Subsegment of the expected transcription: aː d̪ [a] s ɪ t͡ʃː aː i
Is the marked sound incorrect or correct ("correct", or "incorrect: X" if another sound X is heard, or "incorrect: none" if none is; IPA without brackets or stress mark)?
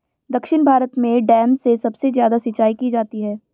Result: correct